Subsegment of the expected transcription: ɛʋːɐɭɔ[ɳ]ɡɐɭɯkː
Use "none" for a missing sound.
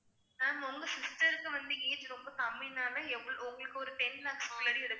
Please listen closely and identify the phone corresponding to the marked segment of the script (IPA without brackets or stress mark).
ŋ